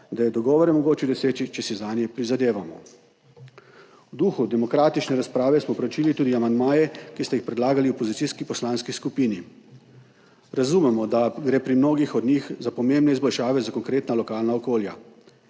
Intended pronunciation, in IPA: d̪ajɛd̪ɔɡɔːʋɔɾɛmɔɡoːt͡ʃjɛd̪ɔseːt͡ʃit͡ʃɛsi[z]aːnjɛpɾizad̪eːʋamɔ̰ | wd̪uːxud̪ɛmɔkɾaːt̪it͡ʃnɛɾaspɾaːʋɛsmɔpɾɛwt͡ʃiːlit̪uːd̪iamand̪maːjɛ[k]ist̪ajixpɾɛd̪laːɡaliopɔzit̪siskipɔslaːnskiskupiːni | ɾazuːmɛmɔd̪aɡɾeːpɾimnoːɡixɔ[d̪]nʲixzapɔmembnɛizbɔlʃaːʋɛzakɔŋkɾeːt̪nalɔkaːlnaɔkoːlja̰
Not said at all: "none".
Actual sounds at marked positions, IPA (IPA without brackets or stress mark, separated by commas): z, k, d̪